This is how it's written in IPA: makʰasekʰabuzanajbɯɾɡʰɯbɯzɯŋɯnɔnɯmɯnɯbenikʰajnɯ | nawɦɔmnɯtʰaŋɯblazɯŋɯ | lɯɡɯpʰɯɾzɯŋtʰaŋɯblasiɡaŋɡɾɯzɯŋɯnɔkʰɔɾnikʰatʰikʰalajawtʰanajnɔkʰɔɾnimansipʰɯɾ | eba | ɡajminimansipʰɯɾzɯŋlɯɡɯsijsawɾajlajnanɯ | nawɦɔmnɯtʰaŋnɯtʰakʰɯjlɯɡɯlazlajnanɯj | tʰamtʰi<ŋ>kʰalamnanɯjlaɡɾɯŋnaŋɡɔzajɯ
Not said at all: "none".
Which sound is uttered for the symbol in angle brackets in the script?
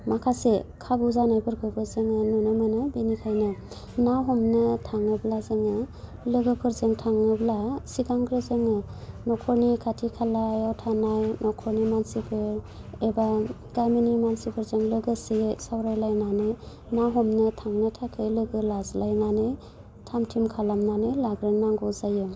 m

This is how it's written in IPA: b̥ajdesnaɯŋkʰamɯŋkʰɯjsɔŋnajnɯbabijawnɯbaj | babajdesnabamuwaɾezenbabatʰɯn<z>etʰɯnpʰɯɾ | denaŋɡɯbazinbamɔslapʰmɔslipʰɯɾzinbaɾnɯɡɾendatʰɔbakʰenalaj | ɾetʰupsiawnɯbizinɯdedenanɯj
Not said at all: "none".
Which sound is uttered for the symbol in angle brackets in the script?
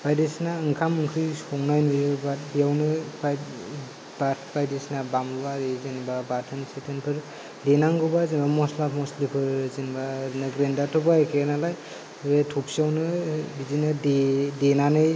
s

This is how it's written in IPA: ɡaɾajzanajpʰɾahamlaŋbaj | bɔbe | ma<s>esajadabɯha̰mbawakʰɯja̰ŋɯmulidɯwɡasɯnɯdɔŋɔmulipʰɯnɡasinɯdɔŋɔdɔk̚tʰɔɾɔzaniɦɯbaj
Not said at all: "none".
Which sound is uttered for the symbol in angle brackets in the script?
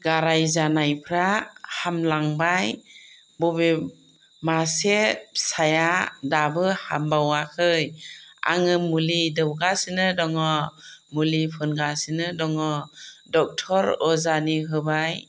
s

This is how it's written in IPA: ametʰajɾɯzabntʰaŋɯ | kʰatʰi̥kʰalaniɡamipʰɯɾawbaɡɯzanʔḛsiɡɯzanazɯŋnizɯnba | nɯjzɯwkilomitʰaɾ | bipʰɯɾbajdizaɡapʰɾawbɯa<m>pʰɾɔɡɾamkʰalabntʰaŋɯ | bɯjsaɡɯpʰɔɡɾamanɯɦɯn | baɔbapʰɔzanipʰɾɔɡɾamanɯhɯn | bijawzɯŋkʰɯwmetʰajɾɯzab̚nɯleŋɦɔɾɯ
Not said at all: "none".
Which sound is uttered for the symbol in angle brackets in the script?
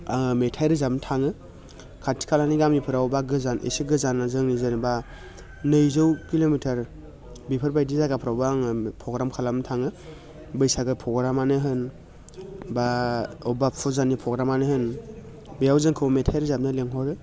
ŋ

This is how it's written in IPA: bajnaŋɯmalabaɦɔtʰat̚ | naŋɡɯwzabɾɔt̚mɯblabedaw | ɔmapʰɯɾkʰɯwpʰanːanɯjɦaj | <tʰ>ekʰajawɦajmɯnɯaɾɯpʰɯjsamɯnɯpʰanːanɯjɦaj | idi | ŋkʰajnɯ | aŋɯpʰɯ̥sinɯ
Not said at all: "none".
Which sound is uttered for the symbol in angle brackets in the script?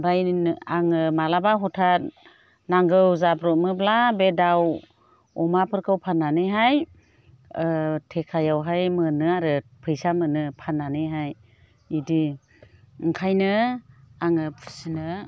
tʰ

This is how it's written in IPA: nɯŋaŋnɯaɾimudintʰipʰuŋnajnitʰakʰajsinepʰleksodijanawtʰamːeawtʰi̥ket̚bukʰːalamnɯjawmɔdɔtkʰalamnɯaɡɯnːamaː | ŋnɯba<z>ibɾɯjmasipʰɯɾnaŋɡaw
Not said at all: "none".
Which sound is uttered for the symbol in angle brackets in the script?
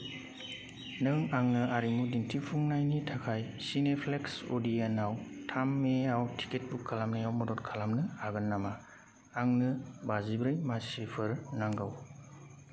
z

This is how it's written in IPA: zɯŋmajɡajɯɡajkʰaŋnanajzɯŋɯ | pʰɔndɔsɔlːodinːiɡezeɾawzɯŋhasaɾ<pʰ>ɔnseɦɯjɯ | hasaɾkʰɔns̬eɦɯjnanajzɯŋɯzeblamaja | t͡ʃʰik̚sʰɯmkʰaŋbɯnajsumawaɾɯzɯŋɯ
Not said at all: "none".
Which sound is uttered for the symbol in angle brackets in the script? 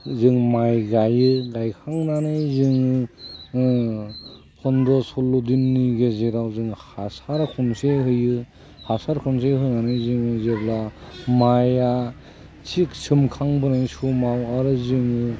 kʰ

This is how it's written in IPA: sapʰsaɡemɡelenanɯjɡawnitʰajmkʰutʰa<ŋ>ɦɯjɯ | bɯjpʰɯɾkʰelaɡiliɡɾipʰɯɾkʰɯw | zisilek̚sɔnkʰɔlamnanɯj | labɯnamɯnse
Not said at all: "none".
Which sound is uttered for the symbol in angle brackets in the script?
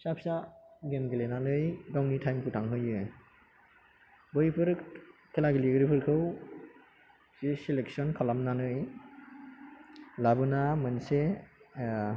ŋ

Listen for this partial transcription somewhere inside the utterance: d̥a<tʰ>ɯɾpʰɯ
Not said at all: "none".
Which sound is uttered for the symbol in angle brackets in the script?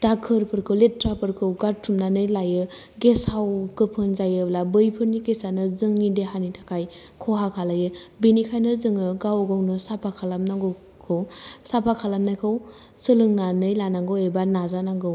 kʰ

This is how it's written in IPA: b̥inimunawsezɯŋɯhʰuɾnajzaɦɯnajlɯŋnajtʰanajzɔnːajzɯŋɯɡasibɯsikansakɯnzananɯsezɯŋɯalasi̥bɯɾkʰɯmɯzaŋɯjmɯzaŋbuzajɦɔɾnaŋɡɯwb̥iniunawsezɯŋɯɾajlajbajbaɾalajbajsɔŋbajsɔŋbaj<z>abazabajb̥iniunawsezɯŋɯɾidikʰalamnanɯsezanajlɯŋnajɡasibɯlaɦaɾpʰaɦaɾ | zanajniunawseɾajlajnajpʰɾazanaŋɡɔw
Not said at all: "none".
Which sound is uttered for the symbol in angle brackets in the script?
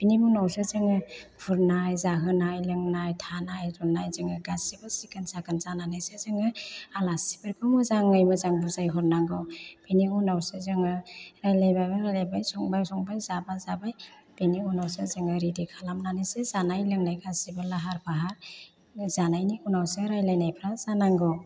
z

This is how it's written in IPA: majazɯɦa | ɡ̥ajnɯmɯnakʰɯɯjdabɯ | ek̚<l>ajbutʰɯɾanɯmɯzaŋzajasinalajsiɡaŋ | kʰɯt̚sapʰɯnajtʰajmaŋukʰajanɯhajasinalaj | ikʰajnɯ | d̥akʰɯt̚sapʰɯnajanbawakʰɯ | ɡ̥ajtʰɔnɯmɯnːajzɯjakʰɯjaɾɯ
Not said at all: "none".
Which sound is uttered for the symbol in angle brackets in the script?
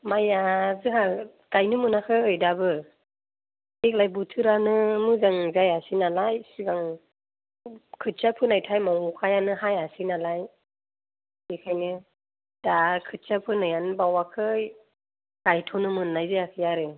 l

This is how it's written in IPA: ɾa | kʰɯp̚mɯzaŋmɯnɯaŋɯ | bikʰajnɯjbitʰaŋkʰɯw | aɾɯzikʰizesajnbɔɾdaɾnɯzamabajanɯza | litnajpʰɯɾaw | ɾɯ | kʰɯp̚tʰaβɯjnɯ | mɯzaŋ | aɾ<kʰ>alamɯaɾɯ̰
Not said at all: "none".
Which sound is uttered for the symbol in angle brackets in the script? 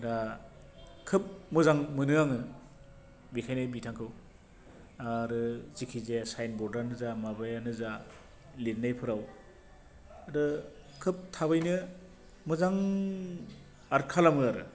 kʰ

